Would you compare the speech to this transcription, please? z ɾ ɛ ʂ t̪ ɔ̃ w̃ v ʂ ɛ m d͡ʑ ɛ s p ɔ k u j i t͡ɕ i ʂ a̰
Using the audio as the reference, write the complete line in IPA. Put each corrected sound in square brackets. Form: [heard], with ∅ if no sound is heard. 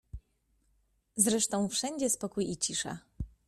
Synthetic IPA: z ɾ ɛ ʂ t̪ ɔ̃ w̃ [f] ʂ ɛ [ɲ] d͡ʑ ɛ s p ɔ k u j i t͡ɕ i ʂ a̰